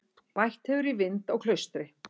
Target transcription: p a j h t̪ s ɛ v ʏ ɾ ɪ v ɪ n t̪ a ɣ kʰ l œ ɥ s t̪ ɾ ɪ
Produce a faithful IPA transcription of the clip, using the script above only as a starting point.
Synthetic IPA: p a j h t̪ h ɛ v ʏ ɾ i v ɪ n t̪ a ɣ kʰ l œ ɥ s t̪ ɾ ɪ